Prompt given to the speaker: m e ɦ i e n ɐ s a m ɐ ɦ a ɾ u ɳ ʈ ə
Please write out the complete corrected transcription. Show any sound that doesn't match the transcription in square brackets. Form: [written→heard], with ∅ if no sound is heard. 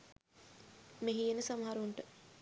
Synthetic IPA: m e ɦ i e n [ɐ→ə] s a m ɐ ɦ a ɾ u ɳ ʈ ə